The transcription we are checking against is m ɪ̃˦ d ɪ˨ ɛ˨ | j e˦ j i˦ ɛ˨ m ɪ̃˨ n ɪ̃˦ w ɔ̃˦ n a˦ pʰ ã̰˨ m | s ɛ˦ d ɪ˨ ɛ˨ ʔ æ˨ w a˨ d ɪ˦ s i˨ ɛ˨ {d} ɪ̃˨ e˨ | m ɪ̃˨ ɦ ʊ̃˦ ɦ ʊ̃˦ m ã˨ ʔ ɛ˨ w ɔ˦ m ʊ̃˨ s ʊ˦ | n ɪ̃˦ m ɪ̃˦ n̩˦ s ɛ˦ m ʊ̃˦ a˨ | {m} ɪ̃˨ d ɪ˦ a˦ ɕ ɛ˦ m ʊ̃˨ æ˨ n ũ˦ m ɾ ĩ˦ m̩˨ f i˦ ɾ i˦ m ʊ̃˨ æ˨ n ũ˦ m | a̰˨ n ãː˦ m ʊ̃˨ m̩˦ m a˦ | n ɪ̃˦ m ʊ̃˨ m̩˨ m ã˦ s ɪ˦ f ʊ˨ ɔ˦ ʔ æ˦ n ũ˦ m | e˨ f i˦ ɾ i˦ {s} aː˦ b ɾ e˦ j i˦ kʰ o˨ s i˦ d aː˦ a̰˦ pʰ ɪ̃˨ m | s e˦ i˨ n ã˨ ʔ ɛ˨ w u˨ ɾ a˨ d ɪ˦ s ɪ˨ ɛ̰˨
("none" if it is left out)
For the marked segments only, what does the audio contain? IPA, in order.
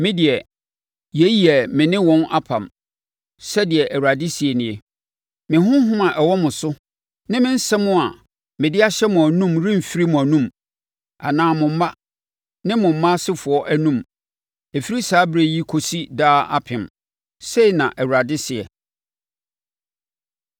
n, m, s

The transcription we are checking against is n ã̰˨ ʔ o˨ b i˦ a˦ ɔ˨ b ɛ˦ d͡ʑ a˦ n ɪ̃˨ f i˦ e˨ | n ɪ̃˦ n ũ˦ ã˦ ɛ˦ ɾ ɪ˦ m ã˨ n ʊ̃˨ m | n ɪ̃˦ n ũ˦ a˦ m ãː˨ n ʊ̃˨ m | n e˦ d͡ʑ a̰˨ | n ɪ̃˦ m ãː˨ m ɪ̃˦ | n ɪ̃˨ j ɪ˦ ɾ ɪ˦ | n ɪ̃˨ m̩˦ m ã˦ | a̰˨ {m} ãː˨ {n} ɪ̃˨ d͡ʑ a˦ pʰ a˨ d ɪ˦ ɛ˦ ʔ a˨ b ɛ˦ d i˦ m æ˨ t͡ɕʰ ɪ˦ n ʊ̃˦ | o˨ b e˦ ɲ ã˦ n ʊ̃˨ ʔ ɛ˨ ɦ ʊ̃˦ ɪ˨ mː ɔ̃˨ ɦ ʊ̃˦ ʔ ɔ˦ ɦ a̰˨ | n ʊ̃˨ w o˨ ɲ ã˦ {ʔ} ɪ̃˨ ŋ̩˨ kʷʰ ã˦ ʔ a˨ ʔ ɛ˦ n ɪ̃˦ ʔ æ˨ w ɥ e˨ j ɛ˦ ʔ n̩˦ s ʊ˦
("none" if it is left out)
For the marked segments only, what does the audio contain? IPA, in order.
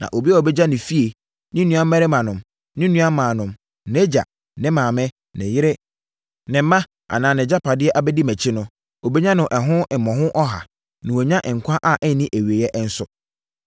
n, n, ʔ

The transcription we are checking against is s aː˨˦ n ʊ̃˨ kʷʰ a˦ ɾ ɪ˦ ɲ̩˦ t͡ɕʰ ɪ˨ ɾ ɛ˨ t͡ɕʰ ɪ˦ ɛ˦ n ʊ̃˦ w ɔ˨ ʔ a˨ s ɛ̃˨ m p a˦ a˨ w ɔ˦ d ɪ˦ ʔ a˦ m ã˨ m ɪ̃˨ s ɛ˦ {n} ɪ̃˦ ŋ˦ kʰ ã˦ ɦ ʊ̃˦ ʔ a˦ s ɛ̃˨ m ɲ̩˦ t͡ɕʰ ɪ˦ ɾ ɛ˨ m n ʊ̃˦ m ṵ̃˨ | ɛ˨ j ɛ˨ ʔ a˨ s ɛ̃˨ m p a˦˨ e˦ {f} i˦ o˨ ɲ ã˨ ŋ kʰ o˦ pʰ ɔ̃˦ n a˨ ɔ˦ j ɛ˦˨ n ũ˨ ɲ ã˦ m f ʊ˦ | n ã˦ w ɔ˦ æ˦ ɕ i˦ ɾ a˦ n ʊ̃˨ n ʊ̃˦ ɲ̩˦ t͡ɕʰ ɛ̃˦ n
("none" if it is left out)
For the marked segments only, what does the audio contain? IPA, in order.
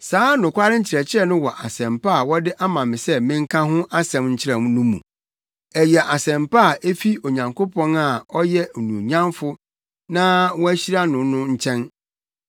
m, f

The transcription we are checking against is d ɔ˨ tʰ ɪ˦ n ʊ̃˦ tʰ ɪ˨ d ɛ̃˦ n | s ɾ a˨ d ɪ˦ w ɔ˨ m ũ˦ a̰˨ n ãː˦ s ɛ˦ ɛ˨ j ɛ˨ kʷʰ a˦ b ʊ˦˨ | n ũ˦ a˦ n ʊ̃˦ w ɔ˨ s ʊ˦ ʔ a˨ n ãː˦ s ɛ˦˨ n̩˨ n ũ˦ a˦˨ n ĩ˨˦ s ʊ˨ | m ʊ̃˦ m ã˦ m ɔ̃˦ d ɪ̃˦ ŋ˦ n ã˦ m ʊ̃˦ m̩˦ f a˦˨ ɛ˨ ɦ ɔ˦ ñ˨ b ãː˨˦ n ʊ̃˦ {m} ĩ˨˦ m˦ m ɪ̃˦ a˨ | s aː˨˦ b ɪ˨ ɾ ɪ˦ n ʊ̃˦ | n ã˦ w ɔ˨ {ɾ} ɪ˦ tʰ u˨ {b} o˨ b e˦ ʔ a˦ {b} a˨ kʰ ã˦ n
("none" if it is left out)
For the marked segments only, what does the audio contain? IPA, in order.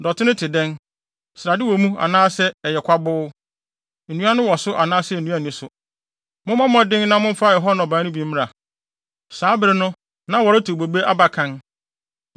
b, ɾ, b, b

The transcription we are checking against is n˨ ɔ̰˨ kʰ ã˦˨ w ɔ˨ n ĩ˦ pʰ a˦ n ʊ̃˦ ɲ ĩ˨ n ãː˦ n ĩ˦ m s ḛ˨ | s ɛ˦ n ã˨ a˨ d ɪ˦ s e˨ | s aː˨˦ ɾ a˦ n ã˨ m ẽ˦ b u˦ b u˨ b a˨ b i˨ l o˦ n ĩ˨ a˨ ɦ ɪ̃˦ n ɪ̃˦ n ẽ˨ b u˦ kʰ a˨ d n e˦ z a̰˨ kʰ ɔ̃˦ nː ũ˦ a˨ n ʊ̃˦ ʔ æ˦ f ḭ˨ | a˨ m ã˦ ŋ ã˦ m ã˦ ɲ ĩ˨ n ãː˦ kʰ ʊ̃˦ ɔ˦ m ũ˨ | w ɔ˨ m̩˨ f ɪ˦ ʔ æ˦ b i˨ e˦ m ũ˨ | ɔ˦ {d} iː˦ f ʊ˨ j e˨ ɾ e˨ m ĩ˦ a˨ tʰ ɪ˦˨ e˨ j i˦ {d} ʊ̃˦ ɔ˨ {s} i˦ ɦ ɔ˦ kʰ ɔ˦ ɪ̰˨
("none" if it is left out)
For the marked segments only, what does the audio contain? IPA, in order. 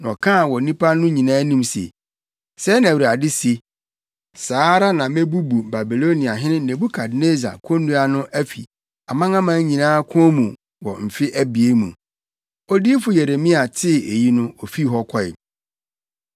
d, n, f

